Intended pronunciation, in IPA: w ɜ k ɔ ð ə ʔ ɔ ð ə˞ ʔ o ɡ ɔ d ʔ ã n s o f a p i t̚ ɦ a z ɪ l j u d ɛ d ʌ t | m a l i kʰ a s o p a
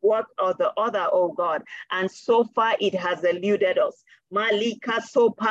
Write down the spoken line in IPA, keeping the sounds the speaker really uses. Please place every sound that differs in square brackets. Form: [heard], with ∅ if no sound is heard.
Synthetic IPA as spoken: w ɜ k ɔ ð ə ʔ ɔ ð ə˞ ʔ o ɡ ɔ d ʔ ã n s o f a [ʔ] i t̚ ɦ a z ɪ l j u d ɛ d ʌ [s] | m a l i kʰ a s o p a